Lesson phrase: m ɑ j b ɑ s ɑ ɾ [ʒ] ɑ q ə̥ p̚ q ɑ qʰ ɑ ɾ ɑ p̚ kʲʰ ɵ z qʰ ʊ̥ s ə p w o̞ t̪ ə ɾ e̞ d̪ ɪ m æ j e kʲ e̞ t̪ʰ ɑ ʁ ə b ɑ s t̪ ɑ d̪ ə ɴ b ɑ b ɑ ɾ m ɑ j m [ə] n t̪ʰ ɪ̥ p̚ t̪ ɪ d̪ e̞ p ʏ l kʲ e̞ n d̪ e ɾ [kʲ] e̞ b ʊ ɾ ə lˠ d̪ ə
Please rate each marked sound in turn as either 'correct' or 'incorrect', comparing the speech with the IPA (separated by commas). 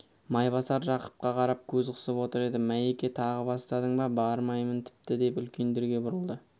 correct, correct, incorrect